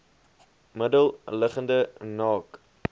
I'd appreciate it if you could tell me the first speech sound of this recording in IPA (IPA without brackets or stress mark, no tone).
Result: m